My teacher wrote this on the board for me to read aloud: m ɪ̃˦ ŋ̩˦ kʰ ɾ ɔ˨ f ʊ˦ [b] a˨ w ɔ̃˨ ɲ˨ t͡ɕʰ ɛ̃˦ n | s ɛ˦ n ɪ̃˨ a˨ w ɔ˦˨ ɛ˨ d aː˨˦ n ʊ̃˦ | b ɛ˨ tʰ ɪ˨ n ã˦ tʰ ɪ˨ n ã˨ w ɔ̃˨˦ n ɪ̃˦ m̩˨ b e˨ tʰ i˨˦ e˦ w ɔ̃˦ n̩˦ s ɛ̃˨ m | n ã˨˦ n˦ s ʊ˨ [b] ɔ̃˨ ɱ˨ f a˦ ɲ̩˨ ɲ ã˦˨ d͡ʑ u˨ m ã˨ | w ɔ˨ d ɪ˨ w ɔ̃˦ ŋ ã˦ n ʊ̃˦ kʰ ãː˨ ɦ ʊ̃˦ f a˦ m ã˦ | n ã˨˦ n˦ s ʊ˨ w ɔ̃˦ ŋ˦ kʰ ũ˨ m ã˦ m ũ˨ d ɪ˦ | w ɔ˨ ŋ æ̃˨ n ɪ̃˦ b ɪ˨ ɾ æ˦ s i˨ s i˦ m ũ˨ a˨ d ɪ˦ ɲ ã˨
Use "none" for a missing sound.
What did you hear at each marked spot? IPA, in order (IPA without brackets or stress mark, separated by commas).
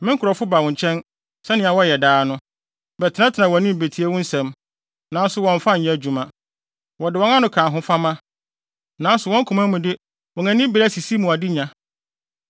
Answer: b, w